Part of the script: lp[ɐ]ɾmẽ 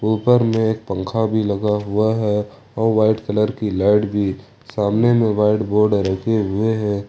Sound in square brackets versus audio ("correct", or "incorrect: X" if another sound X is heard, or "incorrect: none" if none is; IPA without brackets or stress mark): incorrect: ə